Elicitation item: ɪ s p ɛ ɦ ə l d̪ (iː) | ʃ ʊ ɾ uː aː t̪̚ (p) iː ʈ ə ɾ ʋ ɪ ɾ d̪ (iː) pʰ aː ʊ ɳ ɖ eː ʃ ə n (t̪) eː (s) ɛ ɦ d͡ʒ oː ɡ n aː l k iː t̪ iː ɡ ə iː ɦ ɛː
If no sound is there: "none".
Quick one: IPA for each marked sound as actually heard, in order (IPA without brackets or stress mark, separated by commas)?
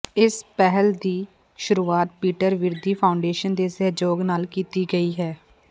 iː, p, iː, d̪, s